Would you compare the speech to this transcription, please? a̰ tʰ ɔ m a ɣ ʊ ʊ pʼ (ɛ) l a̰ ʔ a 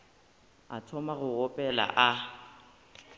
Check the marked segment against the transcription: correct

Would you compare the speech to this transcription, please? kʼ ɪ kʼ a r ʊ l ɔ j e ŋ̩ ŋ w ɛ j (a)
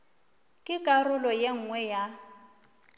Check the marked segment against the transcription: correct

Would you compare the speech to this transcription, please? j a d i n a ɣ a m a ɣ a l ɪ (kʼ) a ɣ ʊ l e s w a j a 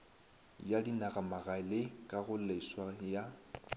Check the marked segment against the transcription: correct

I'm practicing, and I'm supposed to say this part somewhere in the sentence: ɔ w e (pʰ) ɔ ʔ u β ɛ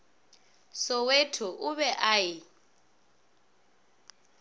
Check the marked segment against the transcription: incorrect: tʰ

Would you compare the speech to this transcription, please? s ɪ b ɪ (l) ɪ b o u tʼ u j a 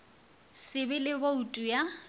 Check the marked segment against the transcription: correct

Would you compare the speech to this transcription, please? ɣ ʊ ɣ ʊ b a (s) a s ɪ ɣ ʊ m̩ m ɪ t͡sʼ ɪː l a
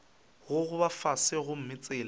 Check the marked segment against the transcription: incorrect: f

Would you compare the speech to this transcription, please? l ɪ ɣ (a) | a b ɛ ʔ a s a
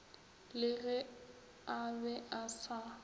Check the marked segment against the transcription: incorrect: ɛ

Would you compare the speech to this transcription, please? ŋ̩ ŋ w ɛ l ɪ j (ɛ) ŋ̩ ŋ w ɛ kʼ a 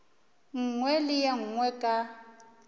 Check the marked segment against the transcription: incorrect: a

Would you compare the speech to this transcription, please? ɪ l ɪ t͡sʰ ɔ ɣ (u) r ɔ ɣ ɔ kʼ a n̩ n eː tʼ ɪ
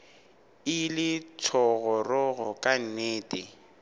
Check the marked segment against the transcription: incorrect: ɔ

